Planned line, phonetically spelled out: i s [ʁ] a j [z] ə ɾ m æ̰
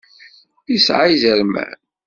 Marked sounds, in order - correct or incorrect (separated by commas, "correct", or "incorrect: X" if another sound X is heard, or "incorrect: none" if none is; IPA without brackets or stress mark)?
incorrect: ʕ, correct